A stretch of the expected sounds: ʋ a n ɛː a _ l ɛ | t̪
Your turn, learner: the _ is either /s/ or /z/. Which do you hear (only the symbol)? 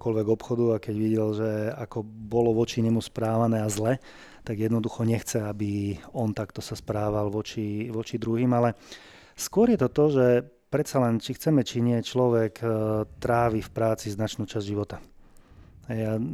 z